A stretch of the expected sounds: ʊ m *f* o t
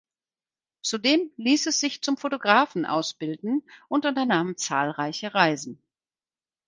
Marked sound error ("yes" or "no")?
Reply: no